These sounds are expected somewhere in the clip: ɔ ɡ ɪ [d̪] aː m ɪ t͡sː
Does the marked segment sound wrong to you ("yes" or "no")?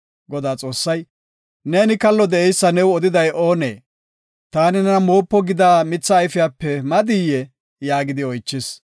no